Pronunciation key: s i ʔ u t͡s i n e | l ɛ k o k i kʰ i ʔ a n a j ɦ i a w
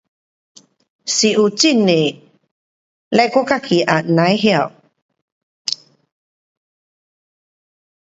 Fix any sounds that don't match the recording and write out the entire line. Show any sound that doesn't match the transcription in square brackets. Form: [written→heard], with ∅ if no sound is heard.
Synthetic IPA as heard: s i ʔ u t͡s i n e | l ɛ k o k [i→a] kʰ i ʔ a n a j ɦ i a w